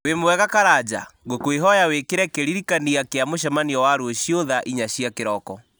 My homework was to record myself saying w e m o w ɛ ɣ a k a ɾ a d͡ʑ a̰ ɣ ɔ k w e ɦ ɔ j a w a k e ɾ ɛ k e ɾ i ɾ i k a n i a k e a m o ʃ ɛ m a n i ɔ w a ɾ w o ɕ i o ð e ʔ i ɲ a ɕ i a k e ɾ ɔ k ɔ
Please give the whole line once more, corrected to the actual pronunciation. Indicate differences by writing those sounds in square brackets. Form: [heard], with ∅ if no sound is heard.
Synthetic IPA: w e m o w ɛ ɣ a k a ɾ a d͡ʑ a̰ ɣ [o] k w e ɦ ɔ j a w [e] k e ɾ ɛ k e ɾ i ɾ i k a n i a k e a m o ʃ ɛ m a n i ɔ w a ɾ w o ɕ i o ð [a] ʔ i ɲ a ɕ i a k e ɾ ɔ k ɔ